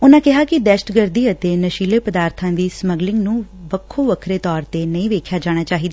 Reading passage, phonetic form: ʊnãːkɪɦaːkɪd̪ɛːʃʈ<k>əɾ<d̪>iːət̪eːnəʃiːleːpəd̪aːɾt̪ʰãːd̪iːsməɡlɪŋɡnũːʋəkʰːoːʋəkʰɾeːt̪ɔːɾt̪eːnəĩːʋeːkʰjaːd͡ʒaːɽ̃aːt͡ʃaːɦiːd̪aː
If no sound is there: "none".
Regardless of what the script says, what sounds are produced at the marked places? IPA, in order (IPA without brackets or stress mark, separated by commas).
ɡ, d̪